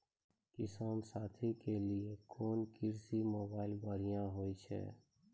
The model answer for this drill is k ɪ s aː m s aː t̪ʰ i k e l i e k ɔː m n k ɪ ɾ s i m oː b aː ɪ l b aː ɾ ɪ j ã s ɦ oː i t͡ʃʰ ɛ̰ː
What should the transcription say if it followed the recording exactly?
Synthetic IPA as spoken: k ɪ s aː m s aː t̪ʰ i k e l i e k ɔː n k ɪ ɾ s i m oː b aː ɪ l b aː ɾ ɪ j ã ɦ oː i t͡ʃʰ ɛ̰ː

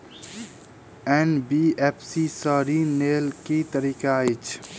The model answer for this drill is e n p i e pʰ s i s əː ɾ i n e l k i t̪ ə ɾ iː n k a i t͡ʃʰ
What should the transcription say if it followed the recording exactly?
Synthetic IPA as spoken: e n b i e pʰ s i s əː ɾ i n e l k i t̪ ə ɾ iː k a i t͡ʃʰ

